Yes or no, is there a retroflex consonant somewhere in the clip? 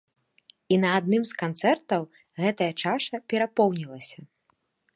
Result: yes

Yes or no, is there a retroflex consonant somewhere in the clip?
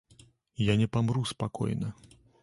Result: no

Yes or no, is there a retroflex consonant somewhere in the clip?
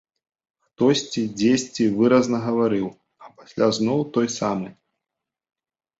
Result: no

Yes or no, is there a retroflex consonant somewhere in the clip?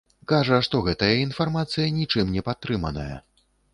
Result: yes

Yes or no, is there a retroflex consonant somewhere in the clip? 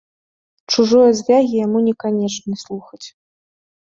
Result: yes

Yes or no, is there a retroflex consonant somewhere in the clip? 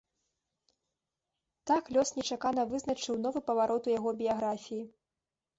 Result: yes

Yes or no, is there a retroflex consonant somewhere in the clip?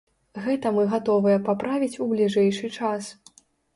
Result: yes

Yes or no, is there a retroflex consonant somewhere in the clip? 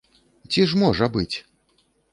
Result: yes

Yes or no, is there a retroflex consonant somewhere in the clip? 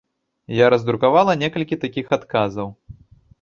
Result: no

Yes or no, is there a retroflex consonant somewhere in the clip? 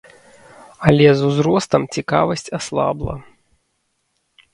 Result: no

